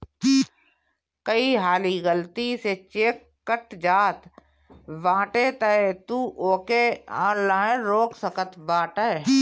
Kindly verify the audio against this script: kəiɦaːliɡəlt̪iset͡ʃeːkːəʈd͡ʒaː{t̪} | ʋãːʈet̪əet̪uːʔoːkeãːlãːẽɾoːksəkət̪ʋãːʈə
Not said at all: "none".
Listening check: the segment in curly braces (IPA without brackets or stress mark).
t̪